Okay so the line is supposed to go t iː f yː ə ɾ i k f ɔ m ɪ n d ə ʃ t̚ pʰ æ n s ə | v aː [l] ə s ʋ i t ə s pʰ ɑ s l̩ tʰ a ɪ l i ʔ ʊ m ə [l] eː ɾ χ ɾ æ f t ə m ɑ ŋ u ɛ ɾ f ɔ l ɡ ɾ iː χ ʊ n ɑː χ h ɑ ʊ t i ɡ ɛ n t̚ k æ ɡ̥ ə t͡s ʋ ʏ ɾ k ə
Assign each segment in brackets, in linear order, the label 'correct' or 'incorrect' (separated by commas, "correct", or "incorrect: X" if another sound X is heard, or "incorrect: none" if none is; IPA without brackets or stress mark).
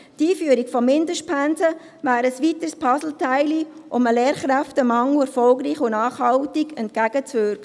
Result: incorrect: ɾ, correct